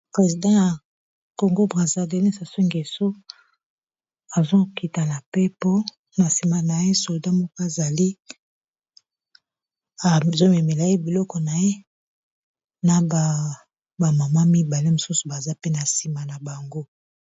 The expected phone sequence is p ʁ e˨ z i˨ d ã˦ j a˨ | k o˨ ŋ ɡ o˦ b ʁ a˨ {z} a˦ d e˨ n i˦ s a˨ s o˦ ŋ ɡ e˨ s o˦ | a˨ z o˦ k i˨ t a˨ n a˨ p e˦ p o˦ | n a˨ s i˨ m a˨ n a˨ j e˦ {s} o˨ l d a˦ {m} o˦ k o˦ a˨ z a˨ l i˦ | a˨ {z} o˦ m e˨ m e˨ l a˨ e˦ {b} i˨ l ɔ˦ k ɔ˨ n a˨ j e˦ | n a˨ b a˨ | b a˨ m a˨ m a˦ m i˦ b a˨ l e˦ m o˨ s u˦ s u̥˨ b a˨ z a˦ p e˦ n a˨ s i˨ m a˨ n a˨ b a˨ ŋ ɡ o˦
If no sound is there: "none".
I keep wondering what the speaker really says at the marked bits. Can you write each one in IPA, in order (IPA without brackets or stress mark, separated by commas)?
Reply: z, s, m, z, b